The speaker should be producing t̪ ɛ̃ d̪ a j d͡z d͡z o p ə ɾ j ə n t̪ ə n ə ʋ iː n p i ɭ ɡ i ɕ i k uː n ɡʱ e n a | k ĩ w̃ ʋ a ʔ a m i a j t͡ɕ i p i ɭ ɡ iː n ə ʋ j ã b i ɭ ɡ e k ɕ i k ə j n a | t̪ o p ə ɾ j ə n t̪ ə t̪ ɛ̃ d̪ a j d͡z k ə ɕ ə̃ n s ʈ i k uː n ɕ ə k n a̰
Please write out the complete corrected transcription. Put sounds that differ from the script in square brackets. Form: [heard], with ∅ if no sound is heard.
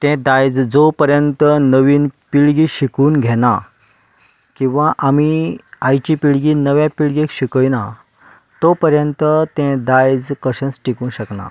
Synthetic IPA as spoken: t̪ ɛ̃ d̪ a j d͡z d͡z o p ə ɾ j ə n t̪ ə n ə ʋ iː n p i ɭ ɡ i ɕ i k uː n ɡʱ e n a | k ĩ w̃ ʋ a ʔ a m i a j t͡ɕ i p i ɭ ɡ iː n ə ʋ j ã [p] i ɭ ɡ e k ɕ i k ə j n a | t̪ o p ə ɾ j ə n t̪ ə t̪ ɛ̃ d̪ a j d͡z k ə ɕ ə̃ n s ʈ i k uː n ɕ ə k n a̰